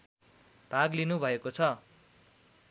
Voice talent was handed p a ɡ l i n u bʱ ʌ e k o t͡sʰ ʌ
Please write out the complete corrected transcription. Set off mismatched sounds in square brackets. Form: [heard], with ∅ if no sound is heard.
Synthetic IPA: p a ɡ l i n u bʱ ʌ e k o t͡sʰ ʌ

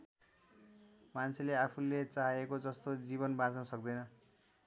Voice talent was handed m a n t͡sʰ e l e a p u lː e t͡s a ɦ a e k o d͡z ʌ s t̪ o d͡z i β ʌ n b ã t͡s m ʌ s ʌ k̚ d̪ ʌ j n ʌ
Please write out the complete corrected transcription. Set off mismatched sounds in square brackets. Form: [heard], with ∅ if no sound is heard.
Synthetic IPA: m a n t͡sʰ e l e a [pʰ] u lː e t͡s a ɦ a e k o d͡z ʌ s t̪ o d͡z i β ʌ n b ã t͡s [n] ʌ s ʌ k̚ d̪ ʌ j n ʌ

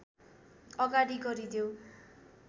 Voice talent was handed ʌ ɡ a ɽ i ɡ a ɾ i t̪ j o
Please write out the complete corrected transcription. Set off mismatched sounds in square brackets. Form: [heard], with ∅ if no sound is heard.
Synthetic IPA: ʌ ɡ a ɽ i ɡ [ʌ] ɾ i [d̪] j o

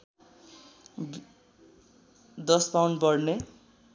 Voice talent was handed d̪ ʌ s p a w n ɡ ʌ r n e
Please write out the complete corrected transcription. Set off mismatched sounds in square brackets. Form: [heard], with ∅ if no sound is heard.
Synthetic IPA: d̪ ʌ s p a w n [b] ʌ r n e

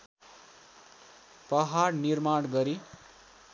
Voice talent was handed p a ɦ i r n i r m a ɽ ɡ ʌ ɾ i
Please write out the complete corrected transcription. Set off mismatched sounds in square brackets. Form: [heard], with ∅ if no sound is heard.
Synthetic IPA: p [ʌ] ɦ [a] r n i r m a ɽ ɡ ʌ ɾ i

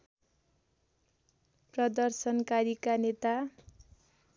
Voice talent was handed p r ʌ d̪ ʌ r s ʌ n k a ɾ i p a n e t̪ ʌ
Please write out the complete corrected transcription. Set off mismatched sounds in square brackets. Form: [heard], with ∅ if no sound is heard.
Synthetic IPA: p r ʌ d̪ ʌ r s ʌ n k a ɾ i [k] a n e t̪ [a]

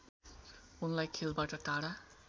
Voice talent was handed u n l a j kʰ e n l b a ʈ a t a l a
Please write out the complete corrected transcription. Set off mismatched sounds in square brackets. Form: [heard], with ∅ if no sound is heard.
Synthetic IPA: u n l a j kʰ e [∅] l b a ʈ [ʌ] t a [ɽ] a

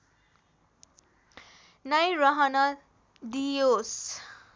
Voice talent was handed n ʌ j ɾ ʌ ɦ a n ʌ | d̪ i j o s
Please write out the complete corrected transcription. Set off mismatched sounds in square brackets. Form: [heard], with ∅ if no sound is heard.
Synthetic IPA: n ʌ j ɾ ʌ ɦ [ʌ] n ʌ | d̪ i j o s

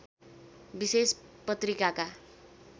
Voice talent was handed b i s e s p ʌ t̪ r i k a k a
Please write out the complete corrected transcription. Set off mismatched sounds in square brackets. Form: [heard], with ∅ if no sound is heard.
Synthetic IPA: b i s e s p ʌ t̪ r i k a k a

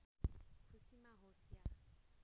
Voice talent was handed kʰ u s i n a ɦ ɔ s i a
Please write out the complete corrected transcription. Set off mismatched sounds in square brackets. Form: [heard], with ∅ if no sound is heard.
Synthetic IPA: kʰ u s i [m] a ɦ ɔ s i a

